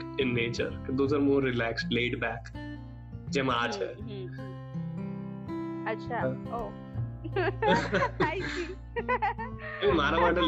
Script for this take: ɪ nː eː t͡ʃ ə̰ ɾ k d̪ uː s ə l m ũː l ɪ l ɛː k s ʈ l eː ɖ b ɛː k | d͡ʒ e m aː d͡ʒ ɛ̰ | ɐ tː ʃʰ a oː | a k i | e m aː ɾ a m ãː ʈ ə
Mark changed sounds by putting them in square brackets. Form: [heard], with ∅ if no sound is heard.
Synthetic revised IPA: ɪ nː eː t͡ʃ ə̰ ɾ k d̪ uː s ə [ɾ] m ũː [ɾ] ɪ l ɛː k s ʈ l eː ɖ b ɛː k | d͡ʒ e m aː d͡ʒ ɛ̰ | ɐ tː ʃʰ a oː | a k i | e m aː ɾ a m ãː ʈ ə